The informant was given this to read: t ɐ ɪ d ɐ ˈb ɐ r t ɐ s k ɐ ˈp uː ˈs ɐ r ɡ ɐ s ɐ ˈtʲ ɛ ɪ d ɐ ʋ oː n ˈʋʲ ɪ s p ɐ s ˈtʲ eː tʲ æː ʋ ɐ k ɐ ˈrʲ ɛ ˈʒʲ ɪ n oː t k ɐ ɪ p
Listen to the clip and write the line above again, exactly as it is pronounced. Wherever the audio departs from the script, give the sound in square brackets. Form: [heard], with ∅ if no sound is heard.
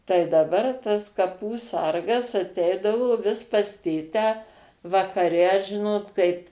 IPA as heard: t ɐ ɪ d ɐ ˈb ɐ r t ɐ s k ɐ ˈp uː ˈs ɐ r ɡ ɐ s ɐ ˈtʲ ɛ ɪ d ɐ ʋ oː [∅] ˈʋʲ ɪ s p ɐ s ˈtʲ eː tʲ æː ʋ ɐ k ɐ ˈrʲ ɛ ˈʒʲ ɪ n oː t k ɐ ɪ p